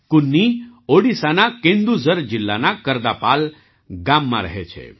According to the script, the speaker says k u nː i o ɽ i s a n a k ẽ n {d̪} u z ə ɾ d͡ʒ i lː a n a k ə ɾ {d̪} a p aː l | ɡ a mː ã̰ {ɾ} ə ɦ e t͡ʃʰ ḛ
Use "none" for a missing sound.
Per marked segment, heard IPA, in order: d̪, d̪, ɾ

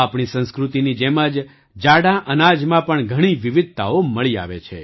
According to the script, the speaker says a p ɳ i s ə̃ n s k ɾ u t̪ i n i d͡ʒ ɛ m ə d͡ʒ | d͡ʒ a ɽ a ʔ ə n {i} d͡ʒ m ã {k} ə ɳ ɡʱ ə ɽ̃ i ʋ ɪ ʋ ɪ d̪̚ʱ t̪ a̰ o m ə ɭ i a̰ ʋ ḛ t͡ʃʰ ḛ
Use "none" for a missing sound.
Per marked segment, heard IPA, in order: a, p

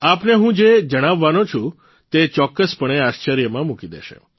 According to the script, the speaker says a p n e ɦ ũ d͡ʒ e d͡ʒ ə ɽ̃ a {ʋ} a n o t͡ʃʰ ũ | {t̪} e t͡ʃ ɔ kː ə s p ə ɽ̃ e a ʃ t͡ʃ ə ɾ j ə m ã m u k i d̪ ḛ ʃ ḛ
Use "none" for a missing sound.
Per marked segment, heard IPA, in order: ʋː, t̪

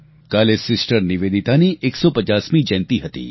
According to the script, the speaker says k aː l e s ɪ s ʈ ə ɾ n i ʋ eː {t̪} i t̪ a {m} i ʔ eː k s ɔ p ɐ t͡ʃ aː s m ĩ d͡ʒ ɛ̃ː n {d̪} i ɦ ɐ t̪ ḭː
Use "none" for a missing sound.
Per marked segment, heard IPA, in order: d̪, n, t̪

